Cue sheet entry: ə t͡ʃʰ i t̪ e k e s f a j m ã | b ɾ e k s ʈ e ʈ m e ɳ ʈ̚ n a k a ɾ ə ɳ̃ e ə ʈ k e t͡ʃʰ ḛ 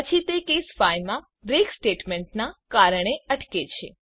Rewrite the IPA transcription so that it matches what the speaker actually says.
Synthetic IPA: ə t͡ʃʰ i t̪ e k e s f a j m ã | b ɾ e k s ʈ e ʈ m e ɳ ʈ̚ n a k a ɾ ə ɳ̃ e ə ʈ k e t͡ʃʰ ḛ